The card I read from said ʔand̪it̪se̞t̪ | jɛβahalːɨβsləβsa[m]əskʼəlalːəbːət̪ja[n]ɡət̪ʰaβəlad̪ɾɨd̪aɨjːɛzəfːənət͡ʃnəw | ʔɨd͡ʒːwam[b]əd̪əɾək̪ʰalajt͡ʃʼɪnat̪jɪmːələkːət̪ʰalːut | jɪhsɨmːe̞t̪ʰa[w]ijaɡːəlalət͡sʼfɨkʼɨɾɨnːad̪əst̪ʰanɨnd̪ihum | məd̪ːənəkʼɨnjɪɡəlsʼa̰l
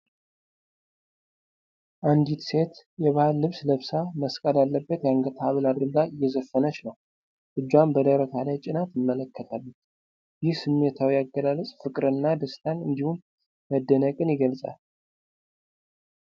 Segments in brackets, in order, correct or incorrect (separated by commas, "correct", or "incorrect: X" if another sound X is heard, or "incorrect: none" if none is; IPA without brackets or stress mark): correct, incorrect: ŋ, correct, correct